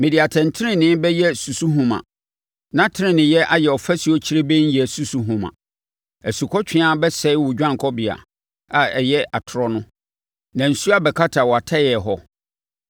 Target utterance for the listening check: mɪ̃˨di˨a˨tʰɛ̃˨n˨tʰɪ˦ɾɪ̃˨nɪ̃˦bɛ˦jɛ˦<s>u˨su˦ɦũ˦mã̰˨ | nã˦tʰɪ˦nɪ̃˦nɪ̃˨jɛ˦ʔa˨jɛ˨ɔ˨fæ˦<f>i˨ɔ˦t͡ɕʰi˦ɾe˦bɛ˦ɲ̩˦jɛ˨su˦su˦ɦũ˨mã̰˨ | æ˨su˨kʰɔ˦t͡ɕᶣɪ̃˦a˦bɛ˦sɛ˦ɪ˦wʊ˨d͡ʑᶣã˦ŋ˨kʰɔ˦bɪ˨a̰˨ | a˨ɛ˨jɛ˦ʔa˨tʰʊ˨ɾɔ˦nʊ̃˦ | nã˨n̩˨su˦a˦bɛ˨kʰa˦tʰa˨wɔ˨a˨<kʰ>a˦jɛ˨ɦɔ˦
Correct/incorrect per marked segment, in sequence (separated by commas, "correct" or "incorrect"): correct, incorrect, incorrect